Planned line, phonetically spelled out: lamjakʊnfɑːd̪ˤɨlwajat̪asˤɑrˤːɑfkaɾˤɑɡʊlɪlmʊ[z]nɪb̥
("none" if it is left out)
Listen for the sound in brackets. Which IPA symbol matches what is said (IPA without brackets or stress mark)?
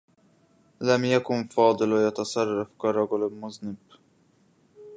z